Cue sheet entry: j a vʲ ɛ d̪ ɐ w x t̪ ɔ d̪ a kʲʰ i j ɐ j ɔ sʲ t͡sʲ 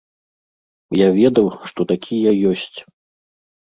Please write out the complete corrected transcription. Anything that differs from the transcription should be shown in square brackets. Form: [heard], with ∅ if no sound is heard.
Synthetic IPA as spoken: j a vʲ ɛ d̪ ɐ w [ʂ] t̪ ɔ [t̪] a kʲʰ i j ɐ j ɔ sʲ t͡sʲ